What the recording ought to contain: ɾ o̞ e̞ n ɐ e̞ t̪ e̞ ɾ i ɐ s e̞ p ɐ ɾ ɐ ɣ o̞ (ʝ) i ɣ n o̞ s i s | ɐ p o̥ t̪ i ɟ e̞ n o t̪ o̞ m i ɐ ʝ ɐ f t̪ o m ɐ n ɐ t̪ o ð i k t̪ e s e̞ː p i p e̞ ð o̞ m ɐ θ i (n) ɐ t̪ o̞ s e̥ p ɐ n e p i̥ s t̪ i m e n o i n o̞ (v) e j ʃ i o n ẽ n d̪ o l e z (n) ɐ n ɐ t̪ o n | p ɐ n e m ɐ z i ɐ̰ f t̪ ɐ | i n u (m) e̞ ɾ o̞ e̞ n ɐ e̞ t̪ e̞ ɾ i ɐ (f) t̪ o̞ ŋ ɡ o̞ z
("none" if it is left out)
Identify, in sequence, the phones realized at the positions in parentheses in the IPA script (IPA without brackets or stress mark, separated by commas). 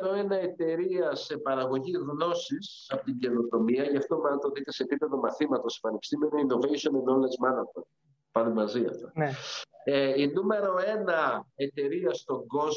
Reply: ʝ, m, v, m, m, s